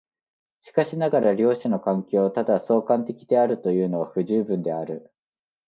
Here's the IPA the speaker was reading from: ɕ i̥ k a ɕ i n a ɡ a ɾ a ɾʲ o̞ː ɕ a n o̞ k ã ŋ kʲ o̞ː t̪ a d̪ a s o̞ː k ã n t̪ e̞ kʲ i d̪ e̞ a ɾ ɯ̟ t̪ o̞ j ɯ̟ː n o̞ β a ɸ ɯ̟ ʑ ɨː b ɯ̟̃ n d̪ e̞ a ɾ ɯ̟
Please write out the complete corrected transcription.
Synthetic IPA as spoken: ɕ i̥ k a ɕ i n a ɡ a ɾ a ɾʲ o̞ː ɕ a n o̞ k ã ŋ kʲ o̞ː t̪ a d̪ a s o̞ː k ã n t̪ e̞ kʲ i d̪ e̞ a ɾ ɯ̟ t̪ o̞ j ɯ̟ː n o̞ β a ɸ ɯ̟ ʑ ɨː b ɯ̟̃ n d̪ e̞ a ɾ ɯ̟